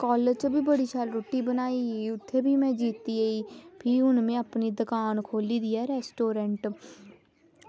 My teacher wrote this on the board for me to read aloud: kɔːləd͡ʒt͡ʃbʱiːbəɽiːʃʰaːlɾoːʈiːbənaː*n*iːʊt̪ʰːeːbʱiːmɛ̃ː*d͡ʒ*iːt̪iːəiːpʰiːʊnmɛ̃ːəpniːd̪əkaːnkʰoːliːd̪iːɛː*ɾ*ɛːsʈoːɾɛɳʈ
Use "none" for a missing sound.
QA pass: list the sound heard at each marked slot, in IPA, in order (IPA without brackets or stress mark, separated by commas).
none, d͡ʒ, ɾ